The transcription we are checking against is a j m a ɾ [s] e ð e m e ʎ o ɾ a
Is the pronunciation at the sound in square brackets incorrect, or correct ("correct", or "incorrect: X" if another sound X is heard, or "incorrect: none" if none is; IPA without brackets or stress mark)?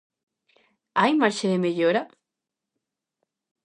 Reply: incorrect: ʃ